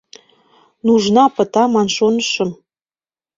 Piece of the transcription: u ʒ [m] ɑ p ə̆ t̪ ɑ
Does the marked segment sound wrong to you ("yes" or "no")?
yes